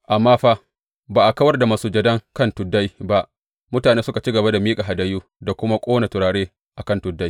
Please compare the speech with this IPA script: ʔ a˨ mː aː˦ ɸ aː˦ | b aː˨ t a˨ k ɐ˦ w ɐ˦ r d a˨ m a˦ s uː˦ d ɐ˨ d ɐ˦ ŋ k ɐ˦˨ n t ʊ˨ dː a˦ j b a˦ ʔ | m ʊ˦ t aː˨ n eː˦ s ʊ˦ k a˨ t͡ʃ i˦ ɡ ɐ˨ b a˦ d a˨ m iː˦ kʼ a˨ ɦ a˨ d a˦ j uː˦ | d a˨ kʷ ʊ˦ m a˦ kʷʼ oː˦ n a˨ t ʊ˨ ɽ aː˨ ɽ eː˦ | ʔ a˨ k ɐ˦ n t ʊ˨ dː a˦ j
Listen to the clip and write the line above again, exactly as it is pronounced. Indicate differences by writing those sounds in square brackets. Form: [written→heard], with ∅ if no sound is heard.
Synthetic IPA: ʔ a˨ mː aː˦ ɸ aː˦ | b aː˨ [t→ʔ] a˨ k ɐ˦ w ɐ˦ r d a˨ m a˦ s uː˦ [d→d͡ʒ] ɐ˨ d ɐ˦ ŋ k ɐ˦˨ n t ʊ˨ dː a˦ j b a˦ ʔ | m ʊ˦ t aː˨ n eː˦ s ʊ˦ k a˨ t͡ʃ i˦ ɡ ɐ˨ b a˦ d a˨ m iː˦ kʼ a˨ ɦ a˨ d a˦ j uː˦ | d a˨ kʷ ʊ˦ m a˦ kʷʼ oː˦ n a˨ t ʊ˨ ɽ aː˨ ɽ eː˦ | ʔ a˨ k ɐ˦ n t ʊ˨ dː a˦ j